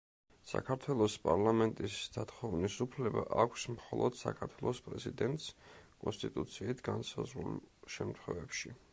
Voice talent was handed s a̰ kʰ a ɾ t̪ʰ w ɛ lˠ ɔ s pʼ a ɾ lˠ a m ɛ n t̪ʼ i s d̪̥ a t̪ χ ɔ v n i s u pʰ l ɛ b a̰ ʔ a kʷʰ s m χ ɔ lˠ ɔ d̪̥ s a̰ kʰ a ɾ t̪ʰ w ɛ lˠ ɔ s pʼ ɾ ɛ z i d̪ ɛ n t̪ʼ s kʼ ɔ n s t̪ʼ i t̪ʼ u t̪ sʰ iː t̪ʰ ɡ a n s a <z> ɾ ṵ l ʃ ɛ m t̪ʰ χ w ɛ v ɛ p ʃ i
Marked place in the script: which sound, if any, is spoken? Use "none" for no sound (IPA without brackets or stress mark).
z